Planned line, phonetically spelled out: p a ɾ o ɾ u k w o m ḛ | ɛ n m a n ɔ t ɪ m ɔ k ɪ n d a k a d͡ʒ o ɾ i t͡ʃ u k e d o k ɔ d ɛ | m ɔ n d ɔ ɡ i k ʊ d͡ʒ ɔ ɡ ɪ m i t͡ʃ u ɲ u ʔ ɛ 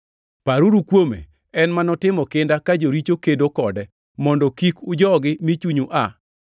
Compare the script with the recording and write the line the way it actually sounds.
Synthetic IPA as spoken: p a ɾ u ɾ u k w o m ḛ | ɛ n m a n ɔ t ɪ m ɔ k ɪ n d a k a d͡ʒ o ɾ i t͡ʃ o k e d o k ɔ d ɛ | m ɔ n d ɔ k i k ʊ d͡ʒ ɔ ɡ ɪ m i t͡ʃ u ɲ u ʔ a